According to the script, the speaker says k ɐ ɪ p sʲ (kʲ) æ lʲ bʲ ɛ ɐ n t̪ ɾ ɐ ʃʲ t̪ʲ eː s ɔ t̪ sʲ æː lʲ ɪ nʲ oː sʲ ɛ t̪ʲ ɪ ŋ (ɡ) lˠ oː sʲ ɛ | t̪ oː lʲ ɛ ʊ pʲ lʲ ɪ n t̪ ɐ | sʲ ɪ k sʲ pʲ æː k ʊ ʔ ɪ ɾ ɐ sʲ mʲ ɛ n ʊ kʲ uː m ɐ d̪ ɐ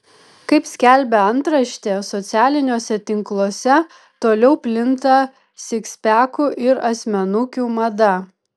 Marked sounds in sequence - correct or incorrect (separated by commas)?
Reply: correct, incorrect